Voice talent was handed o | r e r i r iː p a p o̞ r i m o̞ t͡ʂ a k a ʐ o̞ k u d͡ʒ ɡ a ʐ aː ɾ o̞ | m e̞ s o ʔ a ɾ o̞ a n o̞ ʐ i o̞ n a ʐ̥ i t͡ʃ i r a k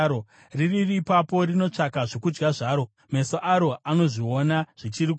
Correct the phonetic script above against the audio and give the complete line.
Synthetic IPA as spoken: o | r i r i r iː p a p o̞ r i n o̞ t͡ʂ a k a ʐ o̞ k u d͡ʒ ɡ a ʐ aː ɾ o̞ | m e̞ s o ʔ a ɾ o̞ a n o̞ ʐ i o̞ n a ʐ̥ i t͡ʃ i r i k